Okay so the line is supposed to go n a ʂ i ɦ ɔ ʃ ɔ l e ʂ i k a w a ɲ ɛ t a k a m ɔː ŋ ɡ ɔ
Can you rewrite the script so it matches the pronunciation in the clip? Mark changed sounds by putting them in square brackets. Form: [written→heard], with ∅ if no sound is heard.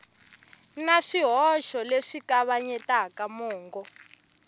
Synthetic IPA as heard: n a ʂ i ɦ ɔ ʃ ɔ l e ʂ i k a [w→β] a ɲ ɛ t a k a m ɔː ŋ ɡ ɔ